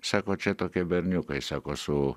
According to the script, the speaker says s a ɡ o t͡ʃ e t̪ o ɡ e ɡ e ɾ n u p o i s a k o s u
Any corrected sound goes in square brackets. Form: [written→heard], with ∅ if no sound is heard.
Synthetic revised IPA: s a [ɡ→k] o t͡ʃ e t̪ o [ɡ→k] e [ɡ→b] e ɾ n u [p→k] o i s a k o s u